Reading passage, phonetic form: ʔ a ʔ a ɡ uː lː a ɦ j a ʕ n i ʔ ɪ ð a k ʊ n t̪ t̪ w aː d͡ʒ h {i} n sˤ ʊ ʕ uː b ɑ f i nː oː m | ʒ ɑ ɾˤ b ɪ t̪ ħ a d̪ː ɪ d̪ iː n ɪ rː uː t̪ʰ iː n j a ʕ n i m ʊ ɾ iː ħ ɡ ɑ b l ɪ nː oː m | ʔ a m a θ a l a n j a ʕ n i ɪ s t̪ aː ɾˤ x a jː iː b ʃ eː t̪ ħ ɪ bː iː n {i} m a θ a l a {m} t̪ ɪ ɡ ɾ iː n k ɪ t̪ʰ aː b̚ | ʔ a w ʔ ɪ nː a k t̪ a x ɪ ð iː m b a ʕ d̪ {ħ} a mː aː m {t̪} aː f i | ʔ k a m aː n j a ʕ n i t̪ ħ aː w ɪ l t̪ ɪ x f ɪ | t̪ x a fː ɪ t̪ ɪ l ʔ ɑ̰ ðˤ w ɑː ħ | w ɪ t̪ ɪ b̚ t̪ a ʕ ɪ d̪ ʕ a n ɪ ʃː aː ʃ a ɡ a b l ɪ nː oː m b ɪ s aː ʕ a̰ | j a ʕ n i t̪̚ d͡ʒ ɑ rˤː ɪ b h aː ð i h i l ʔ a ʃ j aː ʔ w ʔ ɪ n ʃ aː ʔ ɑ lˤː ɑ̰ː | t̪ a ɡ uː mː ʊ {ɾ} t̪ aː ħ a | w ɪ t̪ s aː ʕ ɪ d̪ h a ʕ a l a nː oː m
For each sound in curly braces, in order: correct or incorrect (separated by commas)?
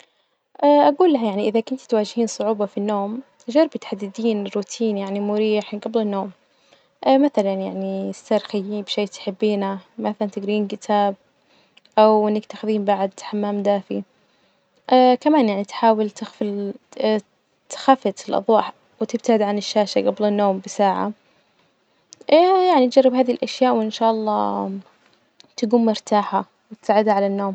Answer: incorrect, incorrect, incorrect, correct, incorrect, correct